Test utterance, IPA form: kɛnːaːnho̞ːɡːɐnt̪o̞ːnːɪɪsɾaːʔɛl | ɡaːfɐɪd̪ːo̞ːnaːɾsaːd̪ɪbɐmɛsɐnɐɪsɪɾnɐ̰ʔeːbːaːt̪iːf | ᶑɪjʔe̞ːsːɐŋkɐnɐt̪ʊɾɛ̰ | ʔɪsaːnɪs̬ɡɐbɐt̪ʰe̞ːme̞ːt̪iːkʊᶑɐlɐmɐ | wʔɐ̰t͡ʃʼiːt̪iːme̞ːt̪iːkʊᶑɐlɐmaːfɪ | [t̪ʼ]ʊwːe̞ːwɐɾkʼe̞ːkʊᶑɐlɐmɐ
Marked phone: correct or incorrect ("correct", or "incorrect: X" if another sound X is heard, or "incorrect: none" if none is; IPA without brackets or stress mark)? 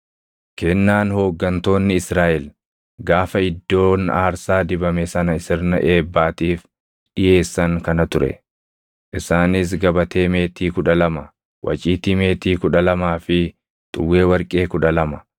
correct